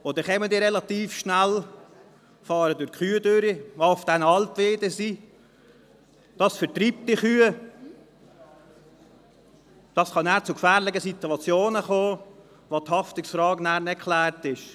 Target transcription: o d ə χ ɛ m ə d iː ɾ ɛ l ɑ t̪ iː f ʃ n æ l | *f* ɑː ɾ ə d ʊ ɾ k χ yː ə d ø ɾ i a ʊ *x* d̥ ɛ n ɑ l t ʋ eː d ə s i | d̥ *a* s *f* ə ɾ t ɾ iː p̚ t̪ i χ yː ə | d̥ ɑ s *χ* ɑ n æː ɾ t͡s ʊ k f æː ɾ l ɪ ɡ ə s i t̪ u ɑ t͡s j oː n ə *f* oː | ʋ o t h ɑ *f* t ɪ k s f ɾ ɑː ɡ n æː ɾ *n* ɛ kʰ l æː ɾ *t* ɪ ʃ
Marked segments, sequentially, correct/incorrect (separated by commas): correct, incorrect, incorrect, correct, correct, incorrect, correct, correct, correct